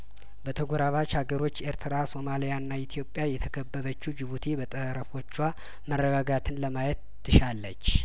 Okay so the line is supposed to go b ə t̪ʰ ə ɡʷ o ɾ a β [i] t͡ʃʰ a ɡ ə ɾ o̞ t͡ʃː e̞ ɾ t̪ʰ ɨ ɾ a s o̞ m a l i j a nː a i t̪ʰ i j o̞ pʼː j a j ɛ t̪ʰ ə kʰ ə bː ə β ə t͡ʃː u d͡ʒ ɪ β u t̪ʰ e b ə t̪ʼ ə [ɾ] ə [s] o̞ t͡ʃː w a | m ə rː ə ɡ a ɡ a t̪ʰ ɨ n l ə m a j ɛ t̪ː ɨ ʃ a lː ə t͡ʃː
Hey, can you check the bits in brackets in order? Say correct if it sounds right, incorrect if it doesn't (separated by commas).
incorrect, correct, incorrect